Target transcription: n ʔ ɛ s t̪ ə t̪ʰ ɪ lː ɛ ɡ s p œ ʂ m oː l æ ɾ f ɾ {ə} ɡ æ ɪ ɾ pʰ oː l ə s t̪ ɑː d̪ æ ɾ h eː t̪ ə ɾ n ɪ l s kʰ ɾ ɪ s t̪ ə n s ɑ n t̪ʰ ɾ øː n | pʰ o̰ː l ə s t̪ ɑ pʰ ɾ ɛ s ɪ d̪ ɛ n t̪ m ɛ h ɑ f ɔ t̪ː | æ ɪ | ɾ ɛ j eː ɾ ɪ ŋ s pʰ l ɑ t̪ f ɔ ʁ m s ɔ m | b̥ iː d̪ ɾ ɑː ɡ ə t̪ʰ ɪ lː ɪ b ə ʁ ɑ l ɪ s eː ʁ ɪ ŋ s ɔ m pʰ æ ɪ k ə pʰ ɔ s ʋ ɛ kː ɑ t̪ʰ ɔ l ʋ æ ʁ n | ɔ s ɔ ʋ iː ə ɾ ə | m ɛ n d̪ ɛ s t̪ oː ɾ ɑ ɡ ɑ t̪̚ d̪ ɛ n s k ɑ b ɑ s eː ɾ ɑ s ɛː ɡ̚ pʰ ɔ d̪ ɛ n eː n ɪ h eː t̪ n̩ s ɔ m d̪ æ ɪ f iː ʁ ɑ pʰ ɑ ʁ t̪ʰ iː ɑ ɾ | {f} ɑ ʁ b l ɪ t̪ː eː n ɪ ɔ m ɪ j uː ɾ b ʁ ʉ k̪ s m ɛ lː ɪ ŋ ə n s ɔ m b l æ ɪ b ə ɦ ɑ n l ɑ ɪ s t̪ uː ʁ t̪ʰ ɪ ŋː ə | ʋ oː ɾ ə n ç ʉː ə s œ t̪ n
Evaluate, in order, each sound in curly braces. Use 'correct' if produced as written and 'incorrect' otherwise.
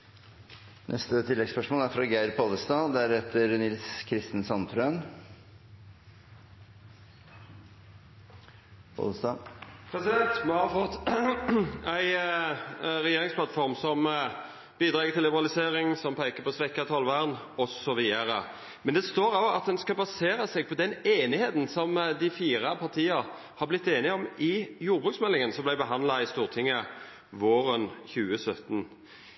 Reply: incorrect, incorrect

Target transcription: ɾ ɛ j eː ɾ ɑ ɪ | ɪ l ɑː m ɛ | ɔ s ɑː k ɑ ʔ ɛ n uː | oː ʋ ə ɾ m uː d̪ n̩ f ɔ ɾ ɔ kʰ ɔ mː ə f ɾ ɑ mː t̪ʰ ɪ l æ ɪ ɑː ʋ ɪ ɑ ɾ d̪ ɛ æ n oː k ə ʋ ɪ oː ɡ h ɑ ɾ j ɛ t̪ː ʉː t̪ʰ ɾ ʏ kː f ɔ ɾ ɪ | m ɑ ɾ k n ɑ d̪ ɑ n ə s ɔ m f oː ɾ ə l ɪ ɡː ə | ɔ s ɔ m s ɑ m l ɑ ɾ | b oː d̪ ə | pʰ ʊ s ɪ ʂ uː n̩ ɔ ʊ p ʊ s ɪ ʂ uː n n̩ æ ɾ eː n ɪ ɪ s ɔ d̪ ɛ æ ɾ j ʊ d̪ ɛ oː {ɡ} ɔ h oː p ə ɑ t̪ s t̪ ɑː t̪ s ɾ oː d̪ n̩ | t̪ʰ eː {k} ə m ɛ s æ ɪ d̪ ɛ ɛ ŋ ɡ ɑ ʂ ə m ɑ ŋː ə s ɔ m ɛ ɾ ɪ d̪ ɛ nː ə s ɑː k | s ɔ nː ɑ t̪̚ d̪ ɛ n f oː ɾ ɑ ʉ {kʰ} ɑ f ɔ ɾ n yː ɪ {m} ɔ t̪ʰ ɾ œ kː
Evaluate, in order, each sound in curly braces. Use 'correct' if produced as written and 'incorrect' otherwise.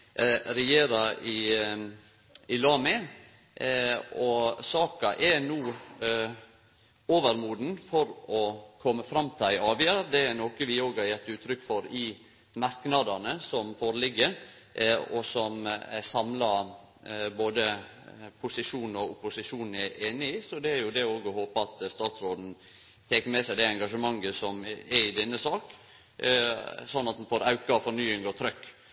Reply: correct, correct, incorrect, incorrect

